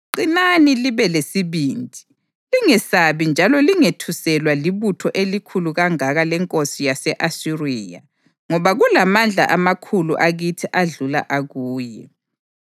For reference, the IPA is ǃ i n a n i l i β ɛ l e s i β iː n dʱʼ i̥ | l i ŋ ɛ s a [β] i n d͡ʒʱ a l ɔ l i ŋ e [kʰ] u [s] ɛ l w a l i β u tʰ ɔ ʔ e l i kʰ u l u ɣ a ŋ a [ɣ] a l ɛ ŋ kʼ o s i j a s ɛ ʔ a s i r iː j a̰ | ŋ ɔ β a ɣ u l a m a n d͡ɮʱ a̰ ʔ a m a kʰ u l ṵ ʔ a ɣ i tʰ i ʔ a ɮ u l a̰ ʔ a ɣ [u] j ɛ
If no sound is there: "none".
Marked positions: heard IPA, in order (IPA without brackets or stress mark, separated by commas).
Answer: β, tʰ, s, ɣ, uː